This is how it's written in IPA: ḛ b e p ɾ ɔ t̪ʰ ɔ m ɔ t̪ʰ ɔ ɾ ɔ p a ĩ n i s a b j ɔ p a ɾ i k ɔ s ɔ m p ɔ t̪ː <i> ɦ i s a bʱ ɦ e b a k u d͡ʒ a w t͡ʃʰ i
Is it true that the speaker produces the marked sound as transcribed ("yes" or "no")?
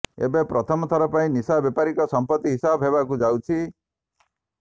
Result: yes